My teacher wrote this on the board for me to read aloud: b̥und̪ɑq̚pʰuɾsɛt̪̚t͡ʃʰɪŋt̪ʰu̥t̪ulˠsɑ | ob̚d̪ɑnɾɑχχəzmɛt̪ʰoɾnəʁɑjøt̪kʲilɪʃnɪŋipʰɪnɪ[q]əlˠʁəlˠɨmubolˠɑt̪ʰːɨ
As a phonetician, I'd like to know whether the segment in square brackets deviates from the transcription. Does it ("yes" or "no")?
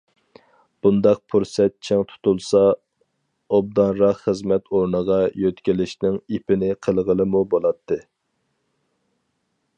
yes